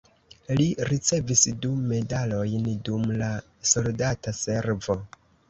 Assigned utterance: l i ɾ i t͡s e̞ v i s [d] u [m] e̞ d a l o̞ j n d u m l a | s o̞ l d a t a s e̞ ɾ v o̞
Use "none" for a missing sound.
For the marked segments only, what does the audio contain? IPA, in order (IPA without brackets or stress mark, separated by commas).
d, m